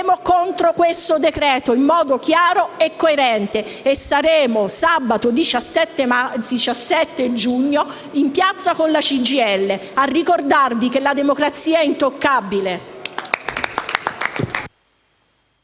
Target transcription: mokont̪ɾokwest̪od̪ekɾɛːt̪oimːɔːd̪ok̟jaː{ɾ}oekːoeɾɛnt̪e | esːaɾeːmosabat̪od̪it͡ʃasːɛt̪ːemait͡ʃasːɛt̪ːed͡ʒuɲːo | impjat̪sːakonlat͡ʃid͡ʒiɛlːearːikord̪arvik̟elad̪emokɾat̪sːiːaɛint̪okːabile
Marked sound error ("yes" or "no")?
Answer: no